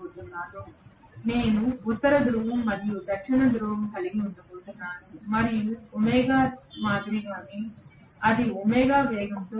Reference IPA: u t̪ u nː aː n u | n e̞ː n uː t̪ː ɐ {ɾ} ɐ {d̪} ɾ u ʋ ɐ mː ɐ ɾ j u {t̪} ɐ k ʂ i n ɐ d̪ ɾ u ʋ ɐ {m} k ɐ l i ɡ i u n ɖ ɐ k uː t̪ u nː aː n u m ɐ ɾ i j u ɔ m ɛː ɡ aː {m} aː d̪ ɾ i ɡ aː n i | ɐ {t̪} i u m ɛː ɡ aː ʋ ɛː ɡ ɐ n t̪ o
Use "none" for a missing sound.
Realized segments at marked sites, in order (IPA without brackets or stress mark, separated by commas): ɾ, d̪, d̪, m, m, d̪